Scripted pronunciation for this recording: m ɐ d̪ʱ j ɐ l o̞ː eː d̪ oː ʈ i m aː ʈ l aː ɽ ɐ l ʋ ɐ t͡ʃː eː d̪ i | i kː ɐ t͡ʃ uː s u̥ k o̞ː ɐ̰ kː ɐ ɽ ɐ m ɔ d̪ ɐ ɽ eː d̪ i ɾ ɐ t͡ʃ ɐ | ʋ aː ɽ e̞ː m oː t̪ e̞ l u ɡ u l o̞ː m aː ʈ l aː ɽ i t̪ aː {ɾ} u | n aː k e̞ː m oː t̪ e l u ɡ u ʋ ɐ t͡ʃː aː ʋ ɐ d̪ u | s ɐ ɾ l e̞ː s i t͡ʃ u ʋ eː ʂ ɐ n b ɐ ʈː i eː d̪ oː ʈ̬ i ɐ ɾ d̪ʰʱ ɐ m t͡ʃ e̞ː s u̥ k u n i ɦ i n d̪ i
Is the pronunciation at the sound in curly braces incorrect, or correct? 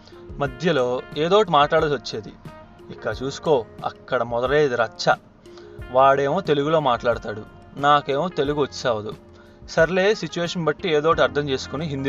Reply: incorrect